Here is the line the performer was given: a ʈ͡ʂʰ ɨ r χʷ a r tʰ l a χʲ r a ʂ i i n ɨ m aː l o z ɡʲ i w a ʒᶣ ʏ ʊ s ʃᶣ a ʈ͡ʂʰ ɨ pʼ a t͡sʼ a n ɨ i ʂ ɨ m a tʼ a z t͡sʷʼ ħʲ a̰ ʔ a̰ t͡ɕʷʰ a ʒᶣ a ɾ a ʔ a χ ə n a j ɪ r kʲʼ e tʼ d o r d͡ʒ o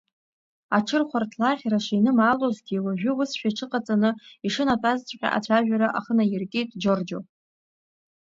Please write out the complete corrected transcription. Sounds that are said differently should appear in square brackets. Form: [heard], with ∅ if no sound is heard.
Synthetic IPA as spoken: a ʈ͡ʂʰ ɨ r χʷ a r tʰ l a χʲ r a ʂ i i n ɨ m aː l o z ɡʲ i w a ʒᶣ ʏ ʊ s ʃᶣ a ʈ͡ʂʰ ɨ [qʼ] a t͡sʼ a n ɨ i ʂ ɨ [n] a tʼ a z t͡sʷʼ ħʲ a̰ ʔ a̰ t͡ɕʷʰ a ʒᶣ a ɾ a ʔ a χ ə n a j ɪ r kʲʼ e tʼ [d͡ʒ] o r d͡ʒ o